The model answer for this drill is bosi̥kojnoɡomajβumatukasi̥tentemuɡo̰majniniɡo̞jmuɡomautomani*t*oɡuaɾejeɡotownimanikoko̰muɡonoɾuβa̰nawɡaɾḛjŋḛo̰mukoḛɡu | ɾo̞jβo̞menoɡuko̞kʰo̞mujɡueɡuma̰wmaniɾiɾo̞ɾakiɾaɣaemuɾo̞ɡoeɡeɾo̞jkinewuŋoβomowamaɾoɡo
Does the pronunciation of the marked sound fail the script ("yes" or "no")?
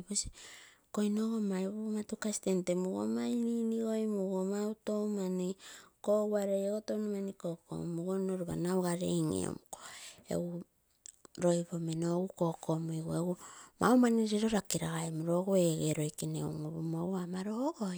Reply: yes